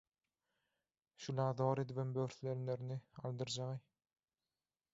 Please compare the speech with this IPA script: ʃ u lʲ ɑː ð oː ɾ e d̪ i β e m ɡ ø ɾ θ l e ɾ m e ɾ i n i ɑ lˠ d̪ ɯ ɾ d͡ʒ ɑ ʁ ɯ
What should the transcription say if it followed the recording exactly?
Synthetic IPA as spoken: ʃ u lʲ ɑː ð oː ɾ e d̪ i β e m b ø ɾ θ l e ɾ n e ɾ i n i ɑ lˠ d̪ ɯ ɾ d͡ʒ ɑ ʁ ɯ